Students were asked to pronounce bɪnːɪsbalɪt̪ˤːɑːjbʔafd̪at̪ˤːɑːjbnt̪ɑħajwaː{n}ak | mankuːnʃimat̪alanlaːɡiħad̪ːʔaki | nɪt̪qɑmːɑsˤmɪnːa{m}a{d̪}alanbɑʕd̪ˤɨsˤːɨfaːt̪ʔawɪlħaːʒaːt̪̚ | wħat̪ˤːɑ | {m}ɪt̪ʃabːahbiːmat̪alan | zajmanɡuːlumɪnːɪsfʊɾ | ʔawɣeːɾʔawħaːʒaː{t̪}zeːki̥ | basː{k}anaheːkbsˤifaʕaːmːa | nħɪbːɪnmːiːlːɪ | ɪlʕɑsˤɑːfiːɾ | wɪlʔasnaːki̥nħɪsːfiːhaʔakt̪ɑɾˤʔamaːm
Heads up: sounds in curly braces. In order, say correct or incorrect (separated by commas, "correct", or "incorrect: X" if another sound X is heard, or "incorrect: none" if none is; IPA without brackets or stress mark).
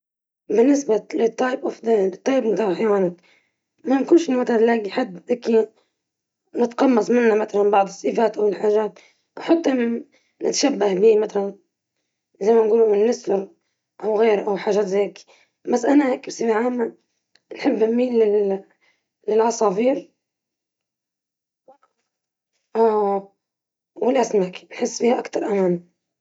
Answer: correct, correct, incorrect: t̪, incorrect: n, correct, incorrect: ʔ